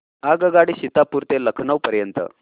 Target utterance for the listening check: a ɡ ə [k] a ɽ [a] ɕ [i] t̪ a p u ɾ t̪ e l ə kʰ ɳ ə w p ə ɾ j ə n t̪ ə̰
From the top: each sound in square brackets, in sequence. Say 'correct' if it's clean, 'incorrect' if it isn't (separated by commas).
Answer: incorrect, incorrect, correct